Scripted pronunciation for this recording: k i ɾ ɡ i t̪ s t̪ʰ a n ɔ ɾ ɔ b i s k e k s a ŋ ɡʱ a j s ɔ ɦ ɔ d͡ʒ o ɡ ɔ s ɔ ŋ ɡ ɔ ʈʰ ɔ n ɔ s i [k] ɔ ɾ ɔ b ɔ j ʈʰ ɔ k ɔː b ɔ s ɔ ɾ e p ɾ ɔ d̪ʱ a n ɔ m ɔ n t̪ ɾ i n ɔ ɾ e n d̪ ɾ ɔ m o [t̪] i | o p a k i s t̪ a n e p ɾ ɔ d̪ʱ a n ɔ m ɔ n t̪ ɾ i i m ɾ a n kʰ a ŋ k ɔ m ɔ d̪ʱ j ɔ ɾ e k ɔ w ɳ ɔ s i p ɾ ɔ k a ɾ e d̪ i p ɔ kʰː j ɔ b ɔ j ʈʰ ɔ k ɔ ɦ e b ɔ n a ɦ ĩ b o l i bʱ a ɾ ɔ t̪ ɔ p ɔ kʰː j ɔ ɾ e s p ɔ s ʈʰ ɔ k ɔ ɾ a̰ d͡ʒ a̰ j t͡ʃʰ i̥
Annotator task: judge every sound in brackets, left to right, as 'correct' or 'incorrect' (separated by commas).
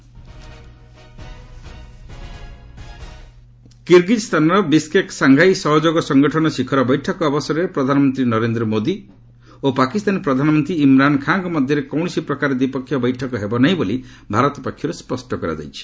incorrect, incorrect